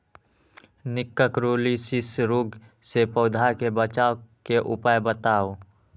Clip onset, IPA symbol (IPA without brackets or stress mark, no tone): n